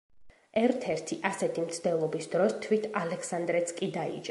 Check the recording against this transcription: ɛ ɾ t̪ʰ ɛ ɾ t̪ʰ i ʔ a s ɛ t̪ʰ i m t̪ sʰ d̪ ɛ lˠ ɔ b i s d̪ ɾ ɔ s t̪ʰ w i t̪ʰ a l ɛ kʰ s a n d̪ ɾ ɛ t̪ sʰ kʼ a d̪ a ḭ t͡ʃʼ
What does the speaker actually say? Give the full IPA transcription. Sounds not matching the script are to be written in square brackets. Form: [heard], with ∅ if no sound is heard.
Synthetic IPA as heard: ɛ ɾ t̪ʰ ɛ ɾ t̪ʰ i ʔ a s ɛ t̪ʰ i m t̪ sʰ d̪ ɛ lˠ ɔ b i s d̪ ɾ ɔ s t̪ʰ w i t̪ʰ a l ɛ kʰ s a n d̪ ɾ ɛ t̪ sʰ kʼ [i] d̪ a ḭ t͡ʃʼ